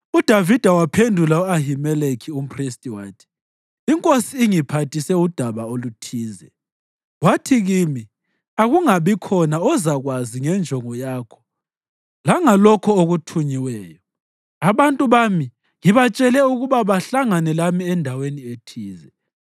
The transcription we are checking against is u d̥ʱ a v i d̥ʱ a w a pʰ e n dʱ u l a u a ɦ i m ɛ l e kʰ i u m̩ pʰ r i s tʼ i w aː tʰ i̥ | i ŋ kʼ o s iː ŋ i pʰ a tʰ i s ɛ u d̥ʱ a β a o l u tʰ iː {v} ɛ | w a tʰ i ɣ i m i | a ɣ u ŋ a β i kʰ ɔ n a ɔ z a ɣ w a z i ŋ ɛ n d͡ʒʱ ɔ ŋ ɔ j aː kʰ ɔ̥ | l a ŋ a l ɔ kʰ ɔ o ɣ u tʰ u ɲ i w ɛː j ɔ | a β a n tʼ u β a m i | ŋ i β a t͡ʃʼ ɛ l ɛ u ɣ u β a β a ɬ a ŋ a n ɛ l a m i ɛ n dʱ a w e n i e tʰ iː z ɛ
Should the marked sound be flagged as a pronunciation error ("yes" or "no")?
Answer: yes